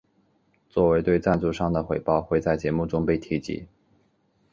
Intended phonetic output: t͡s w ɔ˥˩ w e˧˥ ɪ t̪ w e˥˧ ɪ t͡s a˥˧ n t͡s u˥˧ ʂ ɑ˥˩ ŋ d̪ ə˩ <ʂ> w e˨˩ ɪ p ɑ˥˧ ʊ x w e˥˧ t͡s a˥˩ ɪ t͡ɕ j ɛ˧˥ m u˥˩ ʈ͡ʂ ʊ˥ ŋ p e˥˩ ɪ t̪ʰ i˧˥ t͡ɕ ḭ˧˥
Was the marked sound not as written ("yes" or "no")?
yes